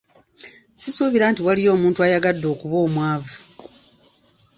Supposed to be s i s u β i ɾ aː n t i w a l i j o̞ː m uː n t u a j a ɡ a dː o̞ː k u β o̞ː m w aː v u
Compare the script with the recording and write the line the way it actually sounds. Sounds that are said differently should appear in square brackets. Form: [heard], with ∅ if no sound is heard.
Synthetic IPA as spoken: s i s u β i ɾ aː n t i w a l i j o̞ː m uː n t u a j a ɡ a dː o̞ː k u β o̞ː m w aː v u

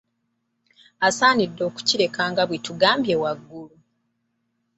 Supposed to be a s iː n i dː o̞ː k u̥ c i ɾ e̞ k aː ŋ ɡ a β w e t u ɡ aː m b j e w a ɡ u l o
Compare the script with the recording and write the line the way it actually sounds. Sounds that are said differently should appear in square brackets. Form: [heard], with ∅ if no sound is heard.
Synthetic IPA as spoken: a s [aː] n i dː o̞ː k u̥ c i ɾ e̞ k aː ŋ ɡ a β w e t u ɡ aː m b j e w a [ɡː] u l [u]

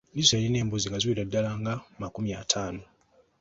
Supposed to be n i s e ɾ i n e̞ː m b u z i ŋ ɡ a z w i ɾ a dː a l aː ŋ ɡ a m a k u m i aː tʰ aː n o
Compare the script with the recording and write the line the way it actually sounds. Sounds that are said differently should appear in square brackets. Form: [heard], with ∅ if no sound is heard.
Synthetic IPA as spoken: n i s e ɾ i n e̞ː m b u z i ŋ ɡ a z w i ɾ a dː a l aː ŋ ɡ a m a k u m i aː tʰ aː n o

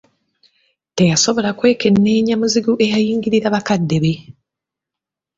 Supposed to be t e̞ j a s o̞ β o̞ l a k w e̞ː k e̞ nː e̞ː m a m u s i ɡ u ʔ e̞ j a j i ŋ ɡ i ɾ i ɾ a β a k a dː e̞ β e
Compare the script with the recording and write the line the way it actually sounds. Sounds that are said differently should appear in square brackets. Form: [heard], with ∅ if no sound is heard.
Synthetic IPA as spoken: t e̞ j a s o̞ β o̞ l a k w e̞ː k e̞ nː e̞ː [ɲ] a m u [z] i ɡ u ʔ e̞ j a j [iː] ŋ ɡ i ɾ i ɾ a β a k a dː e̞ β e

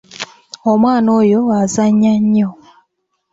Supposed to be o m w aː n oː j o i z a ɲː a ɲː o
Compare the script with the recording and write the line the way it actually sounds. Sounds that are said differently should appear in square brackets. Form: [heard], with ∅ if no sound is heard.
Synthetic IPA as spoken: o m w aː n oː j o [a] z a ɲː a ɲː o

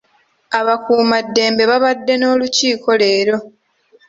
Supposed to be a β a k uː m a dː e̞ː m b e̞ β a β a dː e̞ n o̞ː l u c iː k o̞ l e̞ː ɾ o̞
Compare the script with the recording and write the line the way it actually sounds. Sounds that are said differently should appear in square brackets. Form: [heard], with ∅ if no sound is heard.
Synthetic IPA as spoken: a β a k uː m a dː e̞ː m b e̞ β a β a dː e̞ n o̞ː l u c iː k o̞ l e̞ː ɾ o̞

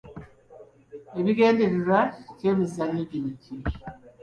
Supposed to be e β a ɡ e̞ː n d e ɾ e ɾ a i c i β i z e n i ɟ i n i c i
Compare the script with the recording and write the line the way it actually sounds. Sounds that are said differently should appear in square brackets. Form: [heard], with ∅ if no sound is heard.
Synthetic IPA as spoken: e β [i] ɡ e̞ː n d e ɾ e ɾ a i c [e] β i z [a] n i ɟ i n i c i

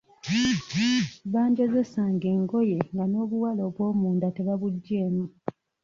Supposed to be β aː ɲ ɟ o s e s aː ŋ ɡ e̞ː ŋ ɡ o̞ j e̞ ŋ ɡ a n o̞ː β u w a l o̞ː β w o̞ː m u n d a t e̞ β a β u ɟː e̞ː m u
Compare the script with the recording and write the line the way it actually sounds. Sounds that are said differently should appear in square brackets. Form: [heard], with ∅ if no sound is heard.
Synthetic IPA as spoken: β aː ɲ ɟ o [z] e s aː ŋ ɡ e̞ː ŋ ɡ o̞ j e̞ ŋ ɡ a n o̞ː β u w a l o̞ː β w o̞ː m [uː] n d a t e̞ β a β u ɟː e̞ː m u

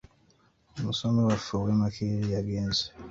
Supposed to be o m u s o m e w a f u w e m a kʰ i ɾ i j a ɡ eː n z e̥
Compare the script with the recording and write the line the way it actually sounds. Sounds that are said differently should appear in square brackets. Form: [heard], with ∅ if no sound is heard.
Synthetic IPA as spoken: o m u s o m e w a f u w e m a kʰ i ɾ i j a ɡ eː n z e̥

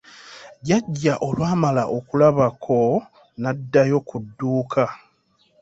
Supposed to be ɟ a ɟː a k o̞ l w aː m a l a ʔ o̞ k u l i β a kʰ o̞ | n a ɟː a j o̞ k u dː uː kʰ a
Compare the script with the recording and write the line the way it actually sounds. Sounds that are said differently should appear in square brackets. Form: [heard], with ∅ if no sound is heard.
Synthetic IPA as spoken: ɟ a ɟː a [ʔ] o̞ l w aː m a l a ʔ o̞ k u l [a] β a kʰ o̞ | n a [dː] a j o̞ k u dː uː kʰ a

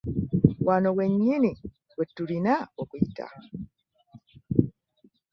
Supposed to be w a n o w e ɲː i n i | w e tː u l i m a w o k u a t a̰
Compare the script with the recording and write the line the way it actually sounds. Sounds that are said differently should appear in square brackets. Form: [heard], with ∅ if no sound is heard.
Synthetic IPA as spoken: w a n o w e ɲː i n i | w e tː u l i [n] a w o k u [i] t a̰

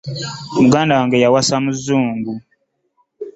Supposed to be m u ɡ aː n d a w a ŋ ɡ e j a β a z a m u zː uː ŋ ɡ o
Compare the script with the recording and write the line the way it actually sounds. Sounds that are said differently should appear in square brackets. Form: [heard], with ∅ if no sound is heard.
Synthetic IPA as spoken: m u ɡ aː n d a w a ŋ ɡ e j a [w] a [s] a m u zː uː ŋ ɡ [u]

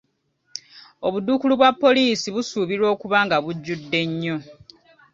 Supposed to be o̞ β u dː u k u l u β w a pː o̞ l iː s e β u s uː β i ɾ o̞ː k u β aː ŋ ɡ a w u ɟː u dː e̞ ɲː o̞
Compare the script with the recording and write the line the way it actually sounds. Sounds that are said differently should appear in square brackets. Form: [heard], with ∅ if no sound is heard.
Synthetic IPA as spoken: o̞ β u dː u k u l u β w a pː o̞ l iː s [i] β u s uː β i ɾ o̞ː k u β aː ŋ ɡ a [β] u ɟː u dː e̞ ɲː o̞

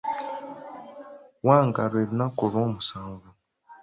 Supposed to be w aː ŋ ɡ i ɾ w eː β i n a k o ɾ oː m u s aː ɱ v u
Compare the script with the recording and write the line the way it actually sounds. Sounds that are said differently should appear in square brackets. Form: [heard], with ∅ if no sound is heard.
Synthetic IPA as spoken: w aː ŋ ɡ [a] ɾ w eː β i n a k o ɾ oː m u s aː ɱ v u

